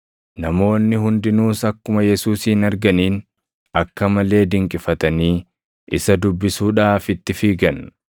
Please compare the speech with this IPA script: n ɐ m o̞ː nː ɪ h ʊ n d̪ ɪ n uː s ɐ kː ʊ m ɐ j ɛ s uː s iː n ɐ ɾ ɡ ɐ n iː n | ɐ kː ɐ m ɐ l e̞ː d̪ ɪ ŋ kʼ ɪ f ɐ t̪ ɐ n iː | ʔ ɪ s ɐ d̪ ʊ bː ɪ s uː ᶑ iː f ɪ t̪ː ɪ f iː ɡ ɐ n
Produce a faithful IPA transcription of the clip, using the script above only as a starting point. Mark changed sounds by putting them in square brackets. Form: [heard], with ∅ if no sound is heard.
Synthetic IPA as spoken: n ɐ m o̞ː nː ɪ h ʊ n d̪ ɪ n uː s ɐ kː ʊ m ɐ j ɛ s uː s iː n ɐ ɾ ɡ ɐ n iː n | ɐ kː ɐ m ɐ l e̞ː d̪ ɪ ŋ kʼ ɪ f ɐ t̪ ɐ n iː | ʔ ɪ s ɐ d̪ ʊ bː ɪ s uː ᶑ [aː] f ɪ t̪ː ɪ f iː ɡ ɐ n